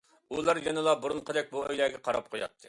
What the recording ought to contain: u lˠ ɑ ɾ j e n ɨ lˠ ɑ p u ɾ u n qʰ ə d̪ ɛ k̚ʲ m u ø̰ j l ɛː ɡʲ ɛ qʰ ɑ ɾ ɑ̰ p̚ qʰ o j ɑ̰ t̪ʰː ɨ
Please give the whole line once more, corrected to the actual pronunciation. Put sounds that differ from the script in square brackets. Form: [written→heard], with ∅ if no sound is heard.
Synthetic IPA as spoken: u lˠ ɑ ɾ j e n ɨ lˠ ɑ [p→b] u ɾ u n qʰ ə d̪ ɛ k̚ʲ [m→b] u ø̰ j l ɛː ɡʲ ɛ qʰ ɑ ɾ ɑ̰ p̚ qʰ o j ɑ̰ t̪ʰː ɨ